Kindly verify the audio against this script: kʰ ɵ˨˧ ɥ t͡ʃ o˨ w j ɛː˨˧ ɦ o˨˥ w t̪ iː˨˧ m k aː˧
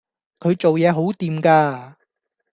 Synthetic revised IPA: kʰ ɵ˨˧ ɥ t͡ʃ o˨ w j ɛː˨˧ ɦ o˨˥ w t̪ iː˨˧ m k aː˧